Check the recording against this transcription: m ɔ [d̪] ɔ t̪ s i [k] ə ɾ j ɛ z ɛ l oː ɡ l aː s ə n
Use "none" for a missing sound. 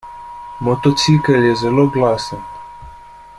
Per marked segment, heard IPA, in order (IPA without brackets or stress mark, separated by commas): t̪, k